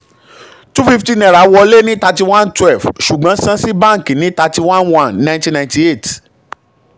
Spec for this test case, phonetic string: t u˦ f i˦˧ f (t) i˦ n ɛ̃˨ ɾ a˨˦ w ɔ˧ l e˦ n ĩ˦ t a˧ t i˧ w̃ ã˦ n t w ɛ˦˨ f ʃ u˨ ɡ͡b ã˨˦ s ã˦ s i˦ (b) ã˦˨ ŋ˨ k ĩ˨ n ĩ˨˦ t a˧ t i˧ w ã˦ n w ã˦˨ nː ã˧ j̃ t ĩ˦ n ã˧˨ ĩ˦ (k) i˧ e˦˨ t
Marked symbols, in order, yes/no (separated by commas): yes, yes, no